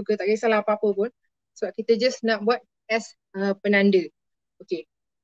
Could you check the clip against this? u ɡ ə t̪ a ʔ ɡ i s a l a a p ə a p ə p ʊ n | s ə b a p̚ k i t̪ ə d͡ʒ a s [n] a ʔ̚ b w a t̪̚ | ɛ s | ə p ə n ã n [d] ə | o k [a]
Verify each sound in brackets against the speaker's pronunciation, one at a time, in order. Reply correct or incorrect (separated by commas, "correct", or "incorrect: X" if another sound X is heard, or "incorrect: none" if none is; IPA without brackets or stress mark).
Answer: correct, correct, incorrect: e